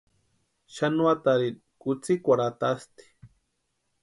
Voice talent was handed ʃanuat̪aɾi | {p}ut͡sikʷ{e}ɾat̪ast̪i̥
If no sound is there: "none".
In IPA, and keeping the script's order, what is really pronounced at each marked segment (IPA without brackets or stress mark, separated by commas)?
k, a